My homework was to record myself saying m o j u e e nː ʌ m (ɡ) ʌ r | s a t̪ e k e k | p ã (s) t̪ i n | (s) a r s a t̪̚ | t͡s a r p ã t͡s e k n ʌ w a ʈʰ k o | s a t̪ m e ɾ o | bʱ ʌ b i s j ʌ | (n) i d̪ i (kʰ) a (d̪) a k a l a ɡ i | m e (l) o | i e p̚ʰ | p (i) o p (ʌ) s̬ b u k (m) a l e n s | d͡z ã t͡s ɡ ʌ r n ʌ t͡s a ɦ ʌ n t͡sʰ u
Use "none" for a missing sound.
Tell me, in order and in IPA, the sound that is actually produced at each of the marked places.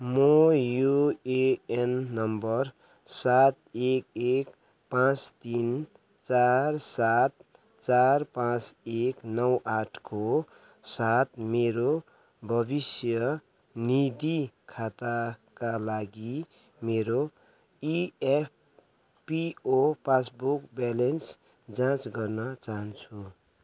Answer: b, t͡s, t͡s, n, kʰ, t̪, ɾ, i, a, b

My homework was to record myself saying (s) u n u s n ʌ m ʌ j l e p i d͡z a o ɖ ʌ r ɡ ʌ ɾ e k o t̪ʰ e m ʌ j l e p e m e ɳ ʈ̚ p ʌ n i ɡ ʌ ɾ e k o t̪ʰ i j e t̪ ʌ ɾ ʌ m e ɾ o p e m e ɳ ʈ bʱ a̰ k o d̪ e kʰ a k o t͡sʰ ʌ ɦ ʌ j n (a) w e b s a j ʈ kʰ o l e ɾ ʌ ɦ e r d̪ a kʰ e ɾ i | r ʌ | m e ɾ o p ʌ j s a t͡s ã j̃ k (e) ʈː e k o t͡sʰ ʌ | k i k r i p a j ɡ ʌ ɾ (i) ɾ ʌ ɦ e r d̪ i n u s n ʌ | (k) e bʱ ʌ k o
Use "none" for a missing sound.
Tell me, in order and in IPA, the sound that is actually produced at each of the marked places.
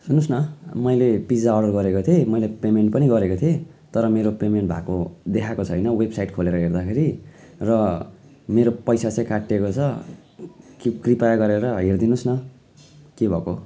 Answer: s, ʌ, a, e, k

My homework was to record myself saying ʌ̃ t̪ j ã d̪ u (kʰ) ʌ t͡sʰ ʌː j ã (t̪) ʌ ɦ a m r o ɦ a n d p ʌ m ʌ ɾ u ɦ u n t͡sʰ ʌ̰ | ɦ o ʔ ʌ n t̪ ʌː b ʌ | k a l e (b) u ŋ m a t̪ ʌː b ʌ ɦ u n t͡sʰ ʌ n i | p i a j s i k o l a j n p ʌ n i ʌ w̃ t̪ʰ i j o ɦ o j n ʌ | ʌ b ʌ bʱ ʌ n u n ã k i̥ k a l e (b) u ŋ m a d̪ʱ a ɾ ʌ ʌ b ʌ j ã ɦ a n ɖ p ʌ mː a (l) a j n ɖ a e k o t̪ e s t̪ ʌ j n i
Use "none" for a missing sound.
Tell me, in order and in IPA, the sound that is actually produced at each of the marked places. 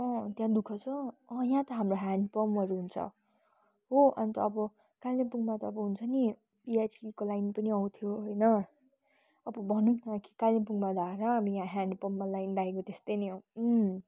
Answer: kʰ, t̪, p, p, l

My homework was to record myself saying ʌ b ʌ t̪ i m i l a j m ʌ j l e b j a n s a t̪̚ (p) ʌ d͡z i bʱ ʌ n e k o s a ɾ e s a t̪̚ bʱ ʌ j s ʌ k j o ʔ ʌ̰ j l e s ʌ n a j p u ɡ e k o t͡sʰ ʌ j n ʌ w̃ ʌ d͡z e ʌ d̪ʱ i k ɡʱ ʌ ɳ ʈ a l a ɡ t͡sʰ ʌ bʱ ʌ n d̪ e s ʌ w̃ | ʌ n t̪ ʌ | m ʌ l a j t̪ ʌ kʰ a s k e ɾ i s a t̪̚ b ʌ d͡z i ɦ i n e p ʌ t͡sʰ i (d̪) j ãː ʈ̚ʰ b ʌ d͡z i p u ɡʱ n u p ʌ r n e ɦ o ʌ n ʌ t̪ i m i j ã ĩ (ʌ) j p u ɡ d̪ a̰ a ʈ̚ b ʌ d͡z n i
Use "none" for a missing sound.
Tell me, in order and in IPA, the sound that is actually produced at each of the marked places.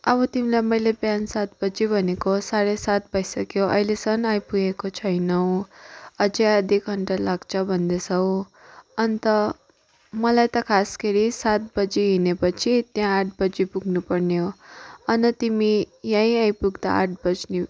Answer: b, t̪, a

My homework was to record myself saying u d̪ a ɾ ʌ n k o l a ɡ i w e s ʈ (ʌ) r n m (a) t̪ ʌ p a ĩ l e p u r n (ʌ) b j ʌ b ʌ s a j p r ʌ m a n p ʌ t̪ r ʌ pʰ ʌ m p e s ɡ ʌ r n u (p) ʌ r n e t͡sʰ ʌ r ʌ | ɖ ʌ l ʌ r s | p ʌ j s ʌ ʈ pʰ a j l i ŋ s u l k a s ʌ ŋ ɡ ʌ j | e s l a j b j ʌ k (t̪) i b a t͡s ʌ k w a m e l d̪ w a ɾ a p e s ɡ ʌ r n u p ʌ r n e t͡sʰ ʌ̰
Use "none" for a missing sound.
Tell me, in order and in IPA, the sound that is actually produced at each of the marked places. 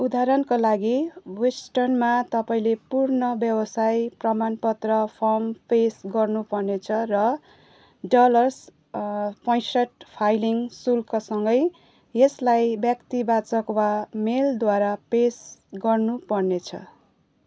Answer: ʌ, a, ʌ, p, t̪

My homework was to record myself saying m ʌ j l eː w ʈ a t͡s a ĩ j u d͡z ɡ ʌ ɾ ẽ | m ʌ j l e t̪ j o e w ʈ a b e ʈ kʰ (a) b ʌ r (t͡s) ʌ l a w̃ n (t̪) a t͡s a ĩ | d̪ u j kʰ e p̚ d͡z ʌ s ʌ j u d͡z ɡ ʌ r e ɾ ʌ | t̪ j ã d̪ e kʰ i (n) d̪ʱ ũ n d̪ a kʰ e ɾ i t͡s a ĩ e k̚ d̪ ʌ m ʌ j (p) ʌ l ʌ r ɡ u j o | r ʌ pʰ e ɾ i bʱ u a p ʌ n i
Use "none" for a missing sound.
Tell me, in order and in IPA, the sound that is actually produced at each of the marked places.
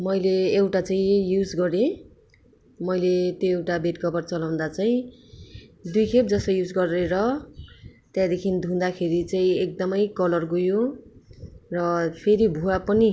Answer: ʌ, t͡s, d̪, n, k

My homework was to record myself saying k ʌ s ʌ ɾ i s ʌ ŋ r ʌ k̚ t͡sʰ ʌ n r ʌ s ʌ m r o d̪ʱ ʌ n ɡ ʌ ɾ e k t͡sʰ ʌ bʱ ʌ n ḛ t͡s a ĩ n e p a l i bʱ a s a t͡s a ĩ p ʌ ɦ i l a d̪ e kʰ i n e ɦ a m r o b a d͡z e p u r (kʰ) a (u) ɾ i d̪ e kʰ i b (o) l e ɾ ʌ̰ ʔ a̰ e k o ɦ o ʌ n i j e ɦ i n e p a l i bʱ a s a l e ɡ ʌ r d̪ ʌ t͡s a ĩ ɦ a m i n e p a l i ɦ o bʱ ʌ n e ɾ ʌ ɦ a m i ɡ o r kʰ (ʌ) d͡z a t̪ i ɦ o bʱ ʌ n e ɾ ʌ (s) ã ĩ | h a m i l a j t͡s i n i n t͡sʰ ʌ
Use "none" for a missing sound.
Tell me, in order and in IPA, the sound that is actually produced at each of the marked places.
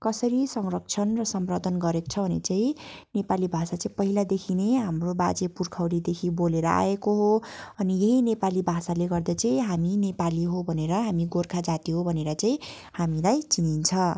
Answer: kʰ, w, o, a, t͡s

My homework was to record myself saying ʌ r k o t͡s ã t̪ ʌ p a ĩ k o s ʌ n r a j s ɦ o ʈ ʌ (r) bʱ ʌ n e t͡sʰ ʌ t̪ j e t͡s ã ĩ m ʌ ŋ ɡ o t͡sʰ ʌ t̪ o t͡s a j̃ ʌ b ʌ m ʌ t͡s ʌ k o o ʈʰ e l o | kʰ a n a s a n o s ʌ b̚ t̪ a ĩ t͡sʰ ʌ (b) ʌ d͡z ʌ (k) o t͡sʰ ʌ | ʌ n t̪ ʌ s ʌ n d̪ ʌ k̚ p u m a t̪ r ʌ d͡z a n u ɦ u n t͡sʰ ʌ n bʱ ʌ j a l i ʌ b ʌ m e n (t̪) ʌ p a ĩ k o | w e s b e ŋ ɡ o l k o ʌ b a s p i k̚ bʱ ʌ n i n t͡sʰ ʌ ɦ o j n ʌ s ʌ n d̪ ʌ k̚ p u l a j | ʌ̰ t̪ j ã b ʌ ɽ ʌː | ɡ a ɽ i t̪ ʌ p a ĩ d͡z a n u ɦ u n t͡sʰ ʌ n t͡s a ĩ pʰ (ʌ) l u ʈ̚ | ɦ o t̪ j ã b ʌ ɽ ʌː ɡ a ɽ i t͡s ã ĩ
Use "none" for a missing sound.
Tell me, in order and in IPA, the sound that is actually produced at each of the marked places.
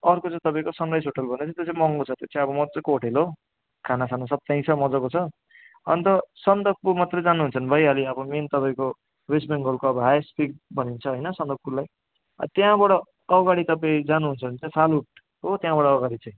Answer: l, m, k, t̪, a

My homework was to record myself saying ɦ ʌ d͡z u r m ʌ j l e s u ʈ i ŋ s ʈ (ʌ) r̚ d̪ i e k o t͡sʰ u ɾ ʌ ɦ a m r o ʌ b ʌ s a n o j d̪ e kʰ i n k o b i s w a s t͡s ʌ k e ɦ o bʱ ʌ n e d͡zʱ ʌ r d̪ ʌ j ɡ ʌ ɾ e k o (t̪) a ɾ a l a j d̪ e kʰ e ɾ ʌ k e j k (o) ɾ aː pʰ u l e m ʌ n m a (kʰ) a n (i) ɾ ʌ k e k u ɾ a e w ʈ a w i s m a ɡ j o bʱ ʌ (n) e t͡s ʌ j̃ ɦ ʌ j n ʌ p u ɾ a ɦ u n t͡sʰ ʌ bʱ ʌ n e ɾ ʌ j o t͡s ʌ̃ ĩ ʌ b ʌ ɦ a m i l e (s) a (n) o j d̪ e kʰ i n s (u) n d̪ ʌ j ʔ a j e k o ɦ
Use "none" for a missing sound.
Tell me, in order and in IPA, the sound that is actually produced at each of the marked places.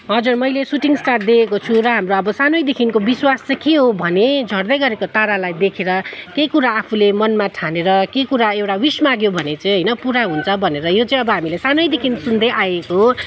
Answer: a, t̪, u, ʈʰ, e, n, s, n, u

